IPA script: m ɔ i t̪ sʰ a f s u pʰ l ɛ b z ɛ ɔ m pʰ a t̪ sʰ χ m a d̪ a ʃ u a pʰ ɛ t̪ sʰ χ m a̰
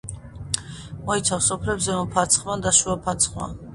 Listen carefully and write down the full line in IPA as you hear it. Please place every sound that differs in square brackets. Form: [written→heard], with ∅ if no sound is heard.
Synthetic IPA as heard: m ɔ i t̪ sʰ a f s [u→ɔ] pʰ l ɛ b z ɛ ɔ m pʰ a t̪ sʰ χ m a d̪ a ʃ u a pʰ [ɛ→a] t̪ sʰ χ m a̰